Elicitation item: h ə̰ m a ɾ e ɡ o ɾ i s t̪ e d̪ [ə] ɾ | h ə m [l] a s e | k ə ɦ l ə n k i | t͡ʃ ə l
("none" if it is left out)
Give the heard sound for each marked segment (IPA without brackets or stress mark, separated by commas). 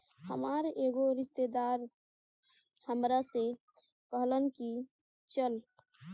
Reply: a, ɾ